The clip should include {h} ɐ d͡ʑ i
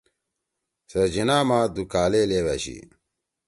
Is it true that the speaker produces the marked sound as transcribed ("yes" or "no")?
no